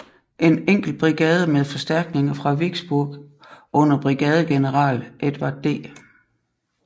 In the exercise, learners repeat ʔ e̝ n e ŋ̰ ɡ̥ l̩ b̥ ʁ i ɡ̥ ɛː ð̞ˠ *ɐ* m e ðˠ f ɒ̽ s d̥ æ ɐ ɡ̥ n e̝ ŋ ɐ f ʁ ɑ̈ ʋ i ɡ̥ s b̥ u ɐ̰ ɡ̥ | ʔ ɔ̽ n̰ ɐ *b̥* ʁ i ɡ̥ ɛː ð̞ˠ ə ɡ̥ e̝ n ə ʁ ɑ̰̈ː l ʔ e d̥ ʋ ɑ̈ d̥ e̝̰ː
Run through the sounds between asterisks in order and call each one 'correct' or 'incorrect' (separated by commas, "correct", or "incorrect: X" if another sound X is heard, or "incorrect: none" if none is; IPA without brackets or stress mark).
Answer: incorrect: ə, correct